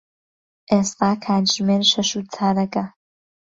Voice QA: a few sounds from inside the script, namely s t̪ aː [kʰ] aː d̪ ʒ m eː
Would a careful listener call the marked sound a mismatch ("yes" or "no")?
no